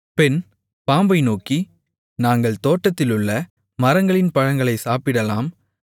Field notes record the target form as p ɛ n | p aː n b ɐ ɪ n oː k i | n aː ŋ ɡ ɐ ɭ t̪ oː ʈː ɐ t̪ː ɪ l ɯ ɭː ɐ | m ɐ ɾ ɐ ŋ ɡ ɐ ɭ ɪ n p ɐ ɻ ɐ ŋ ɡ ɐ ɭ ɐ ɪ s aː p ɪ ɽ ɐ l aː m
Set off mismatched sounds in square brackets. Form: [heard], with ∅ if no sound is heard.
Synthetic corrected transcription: p ɛ n | p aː [m] b ɐ ɪ n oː k i | n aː ŋ ɡ ɐ ɭ t̪ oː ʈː ɐ t̪ː ɪ l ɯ ɭː ɐ | m ɐ ɾ ɐ ŋ ɡ ɐ ɭ ɪ n p ɐ ɻ ɐ ŋ ɡ ɐ ɭ ɐ ɪ s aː p ɪ ɽ ɐ l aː m